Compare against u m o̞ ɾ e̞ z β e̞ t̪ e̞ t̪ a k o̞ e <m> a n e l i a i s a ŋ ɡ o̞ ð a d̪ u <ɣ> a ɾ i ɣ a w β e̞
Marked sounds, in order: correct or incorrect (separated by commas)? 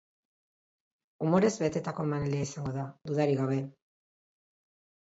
correct, incorrect